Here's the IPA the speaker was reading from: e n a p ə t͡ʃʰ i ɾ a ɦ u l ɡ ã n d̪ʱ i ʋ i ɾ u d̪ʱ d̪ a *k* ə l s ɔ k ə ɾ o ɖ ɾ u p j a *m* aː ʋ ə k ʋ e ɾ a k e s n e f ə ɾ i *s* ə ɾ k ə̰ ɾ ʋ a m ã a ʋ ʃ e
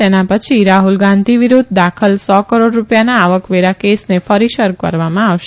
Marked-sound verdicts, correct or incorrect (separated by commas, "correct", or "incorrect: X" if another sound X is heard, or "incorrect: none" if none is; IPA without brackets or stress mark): incorrect: kʰ, incorrect: n, incorrect: ʃ